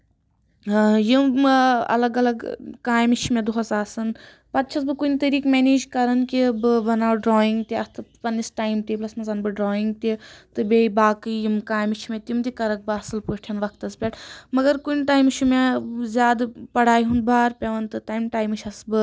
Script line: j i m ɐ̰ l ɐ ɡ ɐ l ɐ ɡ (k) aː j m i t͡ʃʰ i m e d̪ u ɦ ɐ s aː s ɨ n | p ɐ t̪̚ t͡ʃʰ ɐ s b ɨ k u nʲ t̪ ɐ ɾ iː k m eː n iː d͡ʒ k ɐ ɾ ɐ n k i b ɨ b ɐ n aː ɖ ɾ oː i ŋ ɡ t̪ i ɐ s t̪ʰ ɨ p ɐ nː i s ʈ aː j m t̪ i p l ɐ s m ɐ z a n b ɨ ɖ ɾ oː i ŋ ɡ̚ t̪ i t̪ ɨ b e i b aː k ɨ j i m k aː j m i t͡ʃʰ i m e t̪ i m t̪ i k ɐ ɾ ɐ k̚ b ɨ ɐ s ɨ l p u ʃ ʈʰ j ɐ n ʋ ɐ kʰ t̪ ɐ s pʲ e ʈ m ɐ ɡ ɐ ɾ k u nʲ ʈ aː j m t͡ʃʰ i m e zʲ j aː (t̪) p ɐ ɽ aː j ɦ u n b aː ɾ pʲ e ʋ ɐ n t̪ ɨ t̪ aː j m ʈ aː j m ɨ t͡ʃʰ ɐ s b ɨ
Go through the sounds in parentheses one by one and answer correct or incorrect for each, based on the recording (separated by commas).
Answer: correct, incorrect